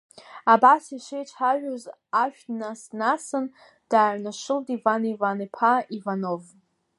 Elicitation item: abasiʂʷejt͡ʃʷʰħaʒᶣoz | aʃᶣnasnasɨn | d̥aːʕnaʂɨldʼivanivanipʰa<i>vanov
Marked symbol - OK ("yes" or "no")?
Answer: yes